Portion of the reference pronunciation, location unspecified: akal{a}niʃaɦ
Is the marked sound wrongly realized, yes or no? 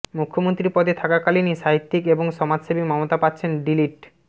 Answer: yes